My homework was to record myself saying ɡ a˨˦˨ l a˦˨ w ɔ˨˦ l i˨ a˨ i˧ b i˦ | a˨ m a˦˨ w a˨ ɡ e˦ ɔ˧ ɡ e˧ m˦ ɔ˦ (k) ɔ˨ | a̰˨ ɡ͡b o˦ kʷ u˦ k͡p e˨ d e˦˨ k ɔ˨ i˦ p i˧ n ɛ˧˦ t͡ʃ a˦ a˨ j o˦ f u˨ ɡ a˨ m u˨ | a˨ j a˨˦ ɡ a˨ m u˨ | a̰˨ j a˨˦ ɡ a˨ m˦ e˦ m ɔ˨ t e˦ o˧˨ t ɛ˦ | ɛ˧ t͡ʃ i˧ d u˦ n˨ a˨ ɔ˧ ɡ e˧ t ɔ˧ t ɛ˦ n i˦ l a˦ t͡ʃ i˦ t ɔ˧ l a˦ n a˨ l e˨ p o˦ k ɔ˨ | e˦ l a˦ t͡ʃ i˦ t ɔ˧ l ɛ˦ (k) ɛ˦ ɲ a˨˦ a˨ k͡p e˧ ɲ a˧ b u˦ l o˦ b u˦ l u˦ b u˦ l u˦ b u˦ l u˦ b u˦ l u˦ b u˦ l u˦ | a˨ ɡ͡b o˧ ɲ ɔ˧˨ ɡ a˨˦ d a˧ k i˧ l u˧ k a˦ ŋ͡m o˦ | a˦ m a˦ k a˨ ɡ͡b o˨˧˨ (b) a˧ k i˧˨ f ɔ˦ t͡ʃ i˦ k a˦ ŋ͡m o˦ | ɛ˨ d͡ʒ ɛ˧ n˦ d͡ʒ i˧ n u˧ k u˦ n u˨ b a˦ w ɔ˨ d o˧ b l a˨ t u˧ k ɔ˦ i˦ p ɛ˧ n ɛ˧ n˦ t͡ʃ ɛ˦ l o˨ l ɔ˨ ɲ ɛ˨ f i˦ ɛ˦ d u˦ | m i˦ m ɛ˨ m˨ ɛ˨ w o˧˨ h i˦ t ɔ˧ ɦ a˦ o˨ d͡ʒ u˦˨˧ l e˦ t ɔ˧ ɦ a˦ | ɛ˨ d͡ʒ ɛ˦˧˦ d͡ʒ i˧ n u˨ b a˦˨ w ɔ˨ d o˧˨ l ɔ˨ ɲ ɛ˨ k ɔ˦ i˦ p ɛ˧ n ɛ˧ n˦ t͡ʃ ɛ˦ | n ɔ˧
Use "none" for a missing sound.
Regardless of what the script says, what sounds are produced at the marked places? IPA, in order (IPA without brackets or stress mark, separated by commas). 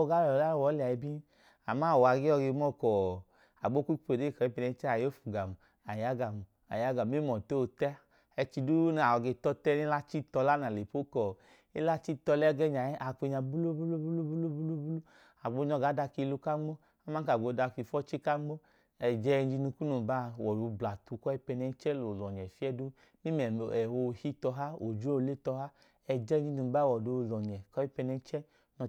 k, ɡ, d